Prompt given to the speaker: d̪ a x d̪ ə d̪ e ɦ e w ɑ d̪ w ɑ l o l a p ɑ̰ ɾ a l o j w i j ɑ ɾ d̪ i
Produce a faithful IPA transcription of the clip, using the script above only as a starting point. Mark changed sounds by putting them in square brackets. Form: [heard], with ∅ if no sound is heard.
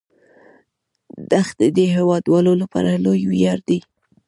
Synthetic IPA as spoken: d̪ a x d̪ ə d̪ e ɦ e w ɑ d̪ w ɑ l o l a p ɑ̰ ɾ a l o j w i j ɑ ɾ d̪ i